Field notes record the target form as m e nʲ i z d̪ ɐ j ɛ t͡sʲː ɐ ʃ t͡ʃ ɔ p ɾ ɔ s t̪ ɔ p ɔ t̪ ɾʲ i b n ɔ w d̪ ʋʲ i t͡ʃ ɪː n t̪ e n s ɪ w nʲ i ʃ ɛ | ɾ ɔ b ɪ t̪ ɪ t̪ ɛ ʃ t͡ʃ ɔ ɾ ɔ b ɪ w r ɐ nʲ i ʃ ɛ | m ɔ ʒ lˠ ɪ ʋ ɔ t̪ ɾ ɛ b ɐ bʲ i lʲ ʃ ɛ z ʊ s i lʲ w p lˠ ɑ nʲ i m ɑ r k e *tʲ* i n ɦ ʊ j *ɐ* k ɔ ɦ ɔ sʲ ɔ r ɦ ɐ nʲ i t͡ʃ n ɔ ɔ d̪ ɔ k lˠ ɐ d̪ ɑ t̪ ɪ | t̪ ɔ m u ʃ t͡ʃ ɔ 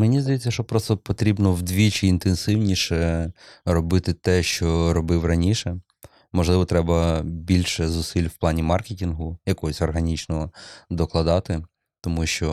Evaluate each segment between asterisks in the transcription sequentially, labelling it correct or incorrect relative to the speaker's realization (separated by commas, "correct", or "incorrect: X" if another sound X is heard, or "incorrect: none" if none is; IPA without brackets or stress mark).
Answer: correct, correct